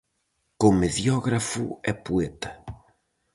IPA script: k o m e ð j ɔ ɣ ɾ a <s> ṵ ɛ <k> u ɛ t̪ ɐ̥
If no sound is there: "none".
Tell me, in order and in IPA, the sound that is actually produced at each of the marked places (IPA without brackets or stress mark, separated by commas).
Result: f, p